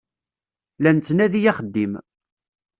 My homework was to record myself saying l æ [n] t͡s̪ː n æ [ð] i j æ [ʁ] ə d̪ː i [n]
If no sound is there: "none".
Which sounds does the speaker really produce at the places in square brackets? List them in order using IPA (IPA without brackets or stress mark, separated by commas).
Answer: n, ð, χ, m